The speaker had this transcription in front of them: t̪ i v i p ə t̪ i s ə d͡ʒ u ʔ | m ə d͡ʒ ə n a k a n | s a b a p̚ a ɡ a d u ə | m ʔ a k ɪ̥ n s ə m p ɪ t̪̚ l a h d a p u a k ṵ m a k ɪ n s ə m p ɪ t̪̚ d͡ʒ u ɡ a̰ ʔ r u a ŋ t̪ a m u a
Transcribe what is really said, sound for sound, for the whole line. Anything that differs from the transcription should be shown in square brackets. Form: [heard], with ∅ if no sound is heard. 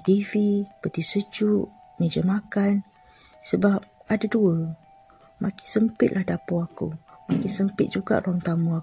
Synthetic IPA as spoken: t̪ i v i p ə t̪ i s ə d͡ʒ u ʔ | m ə d͡ʒ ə [m] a k a n | s [ə] b a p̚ a [d] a d u ə | m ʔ a k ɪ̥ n s ə m p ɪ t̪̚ l a h d a p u a k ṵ m a k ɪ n s ə m p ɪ t̪̚ d͡ʒ u ɡ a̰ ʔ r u a ŋ t̪ a m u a